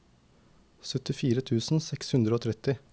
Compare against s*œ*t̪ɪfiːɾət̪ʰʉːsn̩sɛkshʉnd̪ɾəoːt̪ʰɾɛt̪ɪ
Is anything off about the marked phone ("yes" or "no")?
no